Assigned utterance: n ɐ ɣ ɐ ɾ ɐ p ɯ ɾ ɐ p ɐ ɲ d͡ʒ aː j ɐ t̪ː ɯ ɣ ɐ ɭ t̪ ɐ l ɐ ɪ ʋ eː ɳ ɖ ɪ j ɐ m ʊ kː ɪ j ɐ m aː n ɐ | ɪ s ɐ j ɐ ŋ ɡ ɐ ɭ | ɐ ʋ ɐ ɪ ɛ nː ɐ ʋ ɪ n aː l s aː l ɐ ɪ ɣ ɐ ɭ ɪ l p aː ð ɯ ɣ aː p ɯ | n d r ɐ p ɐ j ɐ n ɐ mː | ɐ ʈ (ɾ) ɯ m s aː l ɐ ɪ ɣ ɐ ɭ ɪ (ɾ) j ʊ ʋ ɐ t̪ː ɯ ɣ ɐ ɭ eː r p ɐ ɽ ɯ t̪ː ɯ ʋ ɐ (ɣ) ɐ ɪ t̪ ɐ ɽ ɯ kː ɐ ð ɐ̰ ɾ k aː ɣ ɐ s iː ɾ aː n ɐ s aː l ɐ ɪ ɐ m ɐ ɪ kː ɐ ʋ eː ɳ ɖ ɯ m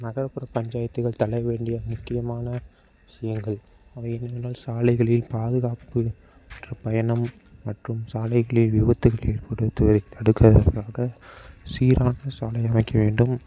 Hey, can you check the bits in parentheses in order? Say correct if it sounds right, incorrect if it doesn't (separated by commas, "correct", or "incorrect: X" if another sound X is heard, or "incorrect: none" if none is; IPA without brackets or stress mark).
incorrect: r, incorrect: l, incorrect: ð